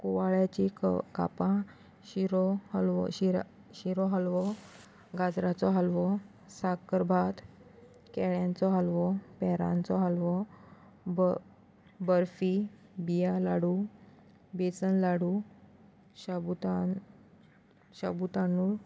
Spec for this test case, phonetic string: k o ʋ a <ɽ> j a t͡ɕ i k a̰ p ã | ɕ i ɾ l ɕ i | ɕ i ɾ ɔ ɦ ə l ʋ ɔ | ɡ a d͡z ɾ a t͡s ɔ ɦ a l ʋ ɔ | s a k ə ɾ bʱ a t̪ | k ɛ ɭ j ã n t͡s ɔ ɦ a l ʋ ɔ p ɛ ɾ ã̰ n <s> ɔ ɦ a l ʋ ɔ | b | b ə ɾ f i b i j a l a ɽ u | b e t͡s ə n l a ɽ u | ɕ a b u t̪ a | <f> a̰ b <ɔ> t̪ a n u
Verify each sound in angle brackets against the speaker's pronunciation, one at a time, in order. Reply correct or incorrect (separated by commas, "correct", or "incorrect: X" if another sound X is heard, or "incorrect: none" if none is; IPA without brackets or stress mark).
incorrect: ɭ, incorrect: t͡s, incorrect: ɕ, incorrect: u